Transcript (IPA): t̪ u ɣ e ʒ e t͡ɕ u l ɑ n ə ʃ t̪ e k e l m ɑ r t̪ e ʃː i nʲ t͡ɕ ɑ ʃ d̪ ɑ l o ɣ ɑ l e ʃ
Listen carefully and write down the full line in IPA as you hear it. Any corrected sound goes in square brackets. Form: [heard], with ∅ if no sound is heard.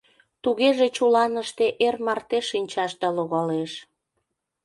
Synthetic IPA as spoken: t̪ u ɣ e ʒ e t͡ɕ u l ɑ n ə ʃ t̪ e [ʔ] e [r] m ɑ r t̪ e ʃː i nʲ t͡ɕ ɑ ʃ d̪ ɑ l o ɣ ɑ l e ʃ